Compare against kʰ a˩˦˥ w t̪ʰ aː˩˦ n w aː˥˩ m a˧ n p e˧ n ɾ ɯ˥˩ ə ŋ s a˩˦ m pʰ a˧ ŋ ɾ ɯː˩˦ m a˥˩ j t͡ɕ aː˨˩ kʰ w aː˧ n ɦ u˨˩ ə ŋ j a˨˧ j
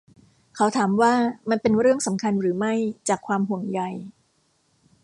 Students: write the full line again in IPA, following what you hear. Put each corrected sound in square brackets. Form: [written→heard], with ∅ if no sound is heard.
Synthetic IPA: kʰ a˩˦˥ w t̪ʰ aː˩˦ [n→m] w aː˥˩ m a˧ n p e˧ n ɾ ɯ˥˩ ə ŋ s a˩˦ m [pʰ→kʰ] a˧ [ŋ→n] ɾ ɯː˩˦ m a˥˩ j t͡ɕ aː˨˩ kʰ w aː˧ [n→m] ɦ u˨˩ ə ŋ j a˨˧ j